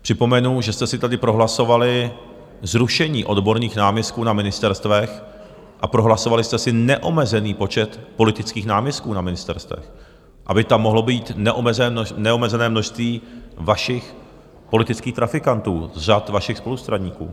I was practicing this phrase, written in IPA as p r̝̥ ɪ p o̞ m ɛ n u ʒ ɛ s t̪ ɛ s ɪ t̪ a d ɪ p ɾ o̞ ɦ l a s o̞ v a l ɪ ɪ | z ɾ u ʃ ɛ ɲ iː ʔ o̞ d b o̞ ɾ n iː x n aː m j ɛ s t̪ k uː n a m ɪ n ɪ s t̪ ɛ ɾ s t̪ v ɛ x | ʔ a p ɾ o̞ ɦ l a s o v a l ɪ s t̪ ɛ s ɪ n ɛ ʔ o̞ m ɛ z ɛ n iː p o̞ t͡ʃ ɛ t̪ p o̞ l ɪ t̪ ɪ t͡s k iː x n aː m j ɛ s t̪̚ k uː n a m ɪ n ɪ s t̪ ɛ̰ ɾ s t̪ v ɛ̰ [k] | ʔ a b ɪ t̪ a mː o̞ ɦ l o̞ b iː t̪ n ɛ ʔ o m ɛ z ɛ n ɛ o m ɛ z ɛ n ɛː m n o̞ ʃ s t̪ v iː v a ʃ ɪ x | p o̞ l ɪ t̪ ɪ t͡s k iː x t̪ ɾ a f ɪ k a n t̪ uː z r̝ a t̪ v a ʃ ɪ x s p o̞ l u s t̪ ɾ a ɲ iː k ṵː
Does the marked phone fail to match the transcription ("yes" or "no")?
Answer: yes